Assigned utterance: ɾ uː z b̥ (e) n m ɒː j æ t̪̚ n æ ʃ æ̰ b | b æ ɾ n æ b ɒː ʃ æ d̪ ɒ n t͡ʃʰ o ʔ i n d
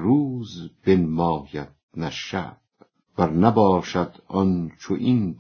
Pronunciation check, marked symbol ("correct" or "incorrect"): correct